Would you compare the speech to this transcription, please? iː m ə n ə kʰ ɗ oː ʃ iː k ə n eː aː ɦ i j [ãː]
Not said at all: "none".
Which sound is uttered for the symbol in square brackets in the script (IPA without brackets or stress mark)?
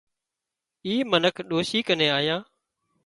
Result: ãː